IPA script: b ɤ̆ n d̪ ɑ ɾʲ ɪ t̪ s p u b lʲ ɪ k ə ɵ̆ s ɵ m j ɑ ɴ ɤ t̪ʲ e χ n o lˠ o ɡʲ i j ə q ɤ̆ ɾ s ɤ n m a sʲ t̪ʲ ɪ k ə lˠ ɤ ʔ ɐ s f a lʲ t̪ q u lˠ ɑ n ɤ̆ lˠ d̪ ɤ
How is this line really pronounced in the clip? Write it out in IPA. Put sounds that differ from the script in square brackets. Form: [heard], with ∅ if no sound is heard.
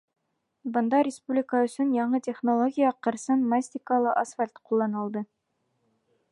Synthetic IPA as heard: b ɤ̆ n d̪ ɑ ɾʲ ɪ [∅] s p u b lʲ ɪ k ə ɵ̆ s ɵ [n] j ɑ ɴ ɤ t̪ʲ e χ n o lˠ o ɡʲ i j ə q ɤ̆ ɾ s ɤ n m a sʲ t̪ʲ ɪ k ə lˠ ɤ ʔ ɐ s f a lʲ t̪ q u [lˠː] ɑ n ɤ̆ lˠ d̪ ɤ